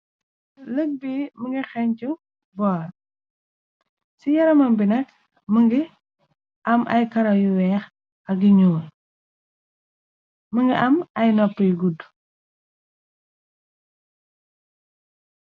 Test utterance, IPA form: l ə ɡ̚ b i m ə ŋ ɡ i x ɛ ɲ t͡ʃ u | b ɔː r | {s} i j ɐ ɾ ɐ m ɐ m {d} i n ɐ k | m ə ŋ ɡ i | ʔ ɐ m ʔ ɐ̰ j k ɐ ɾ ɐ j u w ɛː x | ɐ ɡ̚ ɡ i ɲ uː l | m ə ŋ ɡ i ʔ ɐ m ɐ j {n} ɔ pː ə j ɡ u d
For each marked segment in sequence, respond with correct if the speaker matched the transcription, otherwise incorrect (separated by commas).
correct, incorrect, correct